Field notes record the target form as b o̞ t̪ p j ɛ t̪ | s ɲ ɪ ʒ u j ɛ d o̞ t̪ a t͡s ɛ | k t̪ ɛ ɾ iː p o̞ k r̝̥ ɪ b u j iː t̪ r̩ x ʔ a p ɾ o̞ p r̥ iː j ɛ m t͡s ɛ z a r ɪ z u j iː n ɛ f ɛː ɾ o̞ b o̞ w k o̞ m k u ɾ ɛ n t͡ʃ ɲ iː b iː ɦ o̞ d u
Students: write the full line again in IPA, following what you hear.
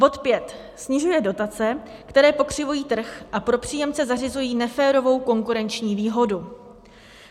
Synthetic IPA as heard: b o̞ t̪ p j ɛ t̪ | s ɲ ɪ ʒ u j ɛ d o̞ t̪ a t͡s ɛ | k t̪ ɛ ɾ ɛː p o̞ k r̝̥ ɪ v u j iː t̪ r̩ x ʔ a p ɾ o̞ p r̥ iː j ɛ m t͡s ɛ z a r ɪ z u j iː n ɛ f ɛː ɾ o̞ v o̞ w k o̞ ŋ k u ɾ ɛ n t͡ʃ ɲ iː v iː ɦ o̞ d u